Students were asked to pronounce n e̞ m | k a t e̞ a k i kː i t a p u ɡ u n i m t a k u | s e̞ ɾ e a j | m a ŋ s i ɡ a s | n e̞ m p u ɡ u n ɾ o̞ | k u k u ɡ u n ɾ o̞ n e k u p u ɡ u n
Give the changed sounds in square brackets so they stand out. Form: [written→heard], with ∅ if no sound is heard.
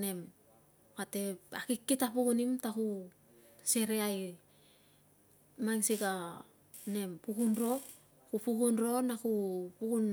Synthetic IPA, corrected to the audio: n e̞ m | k a t e̞ a k i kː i t a p u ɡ u n i m t a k u | s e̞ ɾ e a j | m a ŋ s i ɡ a [s→∅] | n e̞ m p u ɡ u n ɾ o̞ | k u [k→p] u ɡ u n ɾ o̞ n [e→a] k u p u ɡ u n

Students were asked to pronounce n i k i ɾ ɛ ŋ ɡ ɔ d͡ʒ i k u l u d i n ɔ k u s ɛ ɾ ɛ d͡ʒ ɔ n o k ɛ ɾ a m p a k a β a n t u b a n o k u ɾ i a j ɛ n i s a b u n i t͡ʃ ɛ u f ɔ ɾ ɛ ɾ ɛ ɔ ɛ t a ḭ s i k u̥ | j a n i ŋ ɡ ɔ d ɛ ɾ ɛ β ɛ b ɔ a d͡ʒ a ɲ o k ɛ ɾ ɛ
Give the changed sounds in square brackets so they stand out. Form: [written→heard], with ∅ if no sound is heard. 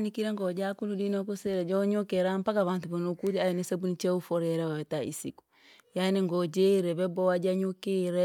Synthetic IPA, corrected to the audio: n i k i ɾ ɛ ŋ ɡ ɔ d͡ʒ [i→a] k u l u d i n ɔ k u s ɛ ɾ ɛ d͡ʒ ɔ [n→ɲ] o k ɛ ɾ a m p a k a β a n t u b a n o k u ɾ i a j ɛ n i s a b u n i t͡ʃ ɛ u f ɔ ɾ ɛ ɾ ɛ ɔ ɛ t a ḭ s i k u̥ | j a n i ŋ ɡ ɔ [d→d͡ʒ] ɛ ɾ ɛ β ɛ b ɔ a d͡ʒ a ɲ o k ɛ ɾ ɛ

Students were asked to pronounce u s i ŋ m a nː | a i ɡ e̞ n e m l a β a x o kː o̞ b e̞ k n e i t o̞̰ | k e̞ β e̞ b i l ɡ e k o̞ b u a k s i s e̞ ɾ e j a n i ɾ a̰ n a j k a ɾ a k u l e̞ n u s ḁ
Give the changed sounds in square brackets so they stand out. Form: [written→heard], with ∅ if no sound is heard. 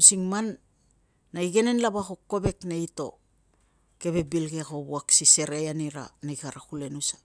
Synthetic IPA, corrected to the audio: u s i ŋ m a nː | a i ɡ e̞ n e [m→n] l a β a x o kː o̞ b e̞ k n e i t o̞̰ | k e̞ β e̞ b i l ɡ e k o̞ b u a k s i s e̞ ɾ e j a n i ɾ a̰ n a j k a ɾ a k u l e̞ n u s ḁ

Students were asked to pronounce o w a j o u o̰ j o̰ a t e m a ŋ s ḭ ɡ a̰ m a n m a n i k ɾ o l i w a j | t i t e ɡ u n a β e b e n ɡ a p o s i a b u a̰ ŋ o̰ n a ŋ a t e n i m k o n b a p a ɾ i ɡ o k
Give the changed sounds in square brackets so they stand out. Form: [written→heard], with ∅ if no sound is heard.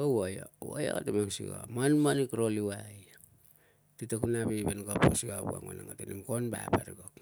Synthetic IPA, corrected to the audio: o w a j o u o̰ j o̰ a t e m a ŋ s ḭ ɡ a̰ m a n m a n i k ɾ o l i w a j | t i t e [ɡ→k] u n a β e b e n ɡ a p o s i a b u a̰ ŋ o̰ n a ŋ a t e n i m k o n b a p a ɾ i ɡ o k

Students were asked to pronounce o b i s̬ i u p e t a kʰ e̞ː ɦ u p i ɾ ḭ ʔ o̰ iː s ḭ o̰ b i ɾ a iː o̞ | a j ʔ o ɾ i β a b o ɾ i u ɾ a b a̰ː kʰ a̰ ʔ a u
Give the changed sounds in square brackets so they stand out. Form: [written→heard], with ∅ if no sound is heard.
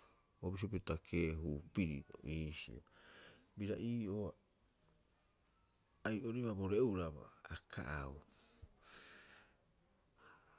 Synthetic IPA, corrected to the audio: o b i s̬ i [u→o] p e t a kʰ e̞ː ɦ u p i ɾ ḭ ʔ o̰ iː s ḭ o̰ b i ɾ a iː o̞ | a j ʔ o ɾ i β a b o ɾ [i→e] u ɾ a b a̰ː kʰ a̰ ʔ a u

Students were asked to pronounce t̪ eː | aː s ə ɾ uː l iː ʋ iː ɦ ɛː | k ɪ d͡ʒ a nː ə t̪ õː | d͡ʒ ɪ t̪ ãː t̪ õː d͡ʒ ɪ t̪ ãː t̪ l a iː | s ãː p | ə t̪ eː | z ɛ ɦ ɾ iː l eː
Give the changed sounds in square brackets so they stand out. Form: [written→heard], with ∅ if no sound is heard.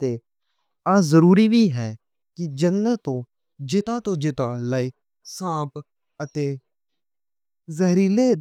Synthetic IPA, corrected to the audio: t̪ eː | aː [s→z] ə ɾ uː [l→ɾ] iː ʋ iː ɦ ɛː | k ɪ d͡ʒ [a→ə] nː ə t̪ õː | d͡ʒ ɪ t̪ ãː t̪ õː d͡ʒ ɪ t̪ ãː [t̪→∅] l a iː | s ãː p | ə t̪ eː | z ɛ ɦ ɾ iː l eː

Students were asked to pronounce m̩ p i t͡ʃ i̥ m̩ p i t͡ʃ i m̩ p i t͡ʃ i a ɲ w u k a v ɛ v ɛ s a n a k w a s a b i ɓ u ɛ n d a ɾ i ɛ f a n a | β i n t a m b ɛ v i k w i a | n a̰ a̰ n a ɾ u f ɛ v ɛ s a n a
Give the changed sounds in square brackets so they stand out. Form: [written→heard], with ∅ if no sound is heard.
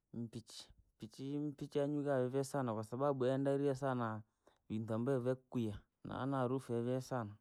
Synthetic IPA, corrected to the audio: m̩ p i t͡ʃ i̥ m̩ p i t͡ʃ i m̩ p i t͡ʃ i a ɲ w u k a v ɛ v ɛ s a n a k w a s a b [i→a] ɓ u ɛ n d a ɾ i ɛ [f→s] a n a | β i n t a m b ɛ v [i→ɛ] k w i a | n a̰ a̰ n a ɾ u f ɛ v ɛ s a n a

